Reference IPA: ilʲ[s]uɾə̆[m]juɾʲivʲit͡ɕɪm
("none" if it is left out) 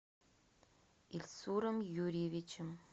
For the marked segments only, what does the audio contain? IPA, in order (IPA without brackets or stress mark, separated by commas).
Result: s, m